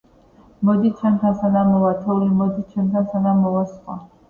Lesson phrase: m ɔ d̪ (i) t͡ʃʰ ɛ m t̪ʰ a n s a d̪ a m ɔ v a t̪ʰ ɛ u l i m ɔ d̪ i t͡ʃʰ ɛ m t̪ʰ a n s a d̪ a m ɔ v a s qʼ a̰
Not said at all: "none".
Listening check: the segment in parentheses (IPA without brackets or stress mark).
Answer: i